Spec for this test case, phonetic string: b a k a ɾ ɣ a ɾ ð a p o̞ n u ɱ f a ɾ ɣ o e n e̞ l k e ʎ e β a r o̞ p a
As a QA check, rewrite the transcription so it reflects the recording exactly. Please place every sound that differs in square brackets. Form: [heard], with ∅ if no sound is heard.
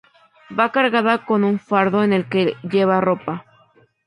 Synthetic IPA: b a k a ɾ ɣ a [∅] ð a [k] o̞ n u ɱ f a ɾ [ð] o e n e̞ l k e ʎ e β a r o̞ p a